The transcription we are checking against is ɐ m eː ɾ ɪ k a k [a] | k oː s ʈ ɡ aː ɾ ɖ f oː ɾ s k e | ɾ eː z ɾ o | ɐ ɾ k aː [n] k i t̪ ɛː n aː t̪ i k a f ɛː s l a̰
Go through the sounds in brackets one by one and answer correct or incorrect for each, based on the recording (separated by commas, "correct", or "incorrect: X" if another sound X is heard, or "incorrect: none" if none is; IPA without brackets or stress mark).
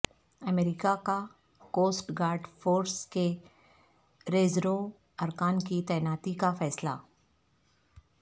correct, correct